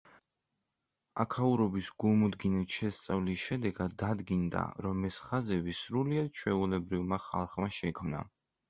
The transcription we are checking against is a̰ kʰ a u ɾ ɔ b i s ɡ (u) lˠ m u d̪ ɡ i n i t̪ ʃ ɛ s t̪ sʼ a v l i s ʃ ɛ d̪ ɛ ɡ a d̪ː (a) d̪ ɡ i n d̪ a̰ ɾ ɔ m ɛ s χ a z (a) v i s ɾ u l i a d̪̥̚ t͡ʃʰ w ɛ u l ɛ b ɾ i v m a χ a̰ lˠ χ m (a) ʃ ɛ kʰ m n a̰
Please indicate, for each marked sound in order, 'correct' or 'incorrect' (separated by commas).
correct, correct, incorrect, correct